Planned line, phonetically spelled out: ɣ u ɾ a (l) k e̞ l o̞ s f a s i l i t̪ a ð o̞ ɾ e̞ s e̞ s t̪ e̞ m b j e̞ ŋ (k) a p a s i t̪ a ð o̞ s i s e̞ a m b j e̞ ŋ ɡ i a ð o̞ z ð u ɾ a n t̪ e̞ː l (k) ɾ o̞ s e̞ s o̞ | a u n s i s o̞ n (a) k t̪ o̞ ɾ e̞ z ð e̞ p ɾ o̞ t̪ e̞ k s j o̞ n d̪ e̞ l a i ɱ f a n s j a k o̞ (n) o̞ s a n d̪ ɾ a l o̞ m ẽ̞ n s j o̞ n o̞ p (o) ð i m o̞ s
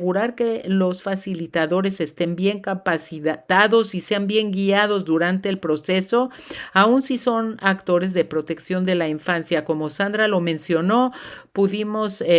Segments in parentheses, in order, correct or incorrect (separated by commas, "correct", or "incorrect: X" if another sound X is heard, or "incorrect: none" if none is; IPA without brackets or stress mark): incorrect: ɾ, correct, incorrect: p, correct, incorrect: m, incorrect: u